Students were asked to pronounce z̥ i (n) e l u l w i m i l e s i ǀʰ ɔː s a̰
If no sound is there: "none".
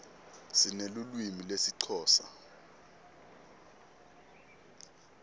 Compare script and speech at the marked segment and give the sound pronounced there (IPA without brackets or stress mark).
n